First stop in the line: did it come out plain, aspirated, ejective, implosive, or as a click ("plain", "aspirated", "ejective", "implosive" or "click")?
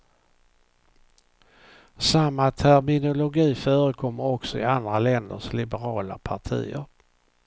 aspirated